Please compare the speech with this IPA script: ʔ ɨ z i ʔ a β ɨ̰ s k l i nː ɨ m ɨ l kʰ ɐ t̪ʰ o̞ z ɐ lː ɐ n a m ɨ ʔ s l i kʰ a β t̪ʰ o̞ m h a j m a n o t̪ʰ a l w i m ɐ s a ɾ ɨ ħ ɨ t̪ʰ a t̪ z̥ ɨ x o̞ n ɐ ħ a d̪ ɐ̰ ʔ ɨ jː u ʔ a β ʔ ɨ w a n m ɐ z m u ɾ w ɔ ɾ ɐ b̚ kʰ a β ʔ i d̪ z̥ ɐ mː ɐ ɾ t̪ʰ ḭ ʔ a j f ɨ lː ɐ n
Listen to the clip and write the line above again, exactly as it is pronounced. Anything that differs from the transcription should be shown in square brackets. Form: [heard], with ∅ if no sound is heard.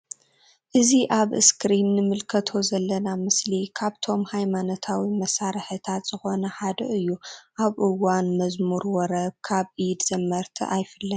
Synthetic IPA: ʔ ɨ z i ʔ a β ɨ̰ s k [ɾ] i nː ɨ m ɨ l kʰ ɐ t̪ʰ o̞ z ɐ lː ɐ n a m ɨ [∅] s l i kʰ a β t̪ʰ o̞ m h a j m a n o t̪ʰ a [∅] w i m ɐ s a ɾ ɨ ħ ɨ t̪ʰ a t̪ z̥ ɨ x o̞ n ɐ ħ a d̪ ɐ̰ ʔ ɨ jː u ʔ a β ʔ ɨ w a n m ɐ z m u ɾ w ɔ ɾ ɐ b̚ kʰ a β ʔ i d̪ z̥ ɐ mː ɐ ɾ t̪ʰ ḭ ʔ a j f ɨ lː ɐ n